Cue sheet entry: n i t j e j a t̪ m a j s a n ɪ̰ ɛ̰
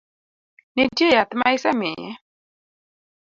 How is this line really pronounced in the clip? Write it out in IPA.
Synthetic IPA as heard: n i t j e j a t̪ m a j s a m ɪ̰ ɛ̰